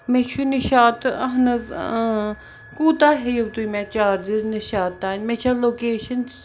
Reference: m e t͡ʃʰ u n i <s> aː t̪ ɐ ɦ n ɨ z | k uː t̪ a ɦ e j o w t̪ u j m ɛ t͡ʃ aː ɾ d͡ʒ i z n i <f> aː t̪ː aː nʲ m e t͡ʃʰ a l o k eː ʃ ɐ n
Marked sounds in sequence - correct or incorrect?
incorrect, incorrect

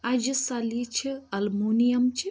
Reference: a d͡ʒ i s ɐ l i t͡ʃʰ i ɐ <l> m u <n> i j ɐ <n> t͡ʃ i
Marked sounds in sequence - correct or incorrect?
correct, correct, incorrect

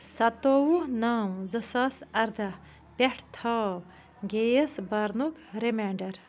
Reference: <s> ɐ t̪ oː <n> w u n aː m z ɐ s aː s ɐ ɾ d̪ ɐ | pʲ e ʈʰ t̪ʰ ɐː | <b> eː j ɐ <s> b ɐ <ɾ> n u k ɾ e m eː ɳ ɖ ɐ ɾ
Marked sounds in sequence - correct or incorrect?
correct, incorrect, incorrect, correct, correct

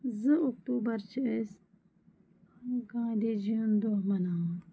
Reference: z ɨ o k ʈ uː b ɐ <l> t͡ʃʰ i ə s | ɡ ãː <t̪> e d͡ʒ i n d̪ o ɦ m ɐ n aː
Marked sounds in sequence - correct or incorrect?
incorrect, incorrect

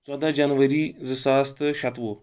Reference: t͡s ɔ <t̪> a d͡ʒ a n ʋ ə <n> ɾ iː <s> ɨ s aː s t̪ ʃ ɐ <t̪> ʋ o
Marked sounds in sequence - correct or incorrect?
incorrect, incorrect, incorrect, correct

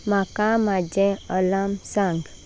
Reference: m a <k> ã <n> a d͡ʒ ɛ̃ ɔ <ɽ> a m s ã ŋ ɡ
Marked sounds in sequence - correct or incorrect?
correct, incorrect, incorrect

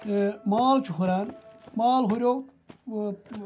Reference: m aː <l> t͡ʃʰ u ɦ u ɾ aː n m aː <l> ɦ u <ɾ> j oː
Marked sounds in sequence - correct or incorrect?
correct, correct, correct

